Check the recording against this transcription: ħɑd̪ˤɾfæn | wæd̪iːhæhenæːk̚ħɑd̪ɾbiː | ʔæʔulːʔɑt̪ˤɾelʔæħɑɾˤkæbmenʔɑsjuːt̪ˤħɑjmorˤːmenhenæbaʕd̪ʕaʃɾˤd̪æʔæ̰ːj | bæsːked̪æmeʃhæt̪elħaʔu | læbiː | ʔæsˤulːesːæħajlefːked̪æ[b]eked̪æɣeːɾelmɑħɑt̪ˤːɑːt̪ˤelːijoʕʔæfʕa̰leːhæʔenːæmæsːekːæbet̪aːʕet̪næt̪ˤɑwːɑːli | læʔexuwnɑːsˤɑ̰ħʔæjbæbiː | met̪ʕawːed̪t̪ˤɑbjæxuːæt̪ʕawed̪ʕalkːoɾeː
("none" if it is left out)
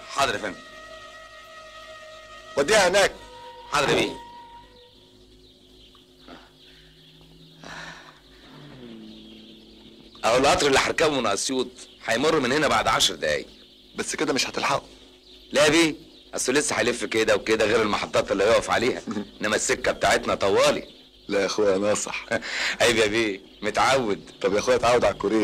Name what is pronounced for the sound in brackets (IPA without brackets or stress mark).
w